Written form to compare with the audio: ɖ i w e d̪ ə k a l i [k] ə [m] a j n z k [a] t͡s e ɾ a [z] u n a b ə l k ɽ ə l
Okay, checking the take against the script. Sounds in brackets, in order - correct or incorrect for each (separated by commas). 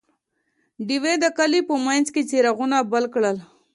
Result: incorrect, correct, incorrect, incorrect